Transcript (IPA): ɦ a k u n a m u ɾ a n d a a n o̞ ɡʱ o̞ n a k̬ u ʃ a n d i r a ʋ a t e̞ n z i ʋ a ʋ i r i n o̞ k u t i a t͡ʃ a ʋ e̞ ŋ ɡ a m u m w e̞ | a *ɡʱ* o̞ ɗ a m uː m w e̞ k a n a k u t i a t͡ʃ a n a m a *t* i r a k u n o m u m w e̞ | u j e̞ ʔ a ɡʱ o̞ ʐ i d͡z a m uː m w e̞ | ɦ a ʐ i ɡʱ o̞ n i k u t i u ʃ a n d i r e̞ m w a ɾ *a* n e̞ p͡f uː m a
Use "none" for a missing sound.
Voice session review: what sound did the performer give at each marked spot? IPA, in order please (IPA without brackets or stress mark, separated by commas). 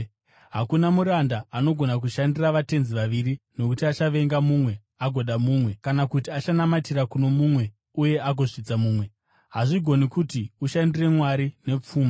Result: ɡʱ, t, i